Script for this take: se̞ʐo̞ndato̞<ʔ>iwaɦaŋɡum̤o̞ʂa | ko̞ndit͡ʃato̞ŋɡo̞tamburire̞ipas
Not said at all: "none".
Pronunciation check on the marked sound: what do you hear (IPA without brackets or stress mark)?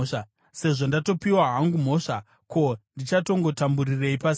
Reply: p